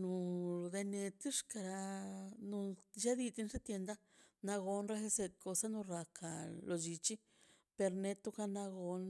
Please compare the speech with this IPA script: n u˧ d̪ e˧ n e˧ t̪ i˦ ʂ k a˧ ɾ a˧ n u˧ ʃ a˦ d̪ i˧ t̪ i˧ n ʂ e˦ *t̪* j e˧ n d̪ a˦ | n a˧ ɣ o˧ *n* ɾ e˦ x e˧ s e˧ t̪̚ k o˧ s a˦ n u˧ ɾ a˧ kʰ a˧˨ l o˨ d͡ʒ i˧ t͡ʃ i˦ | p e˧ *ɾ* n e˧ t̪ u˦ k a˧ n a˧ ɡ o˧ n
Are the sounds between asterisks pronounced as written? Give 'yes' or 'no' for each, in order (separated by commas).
yes, yes, yes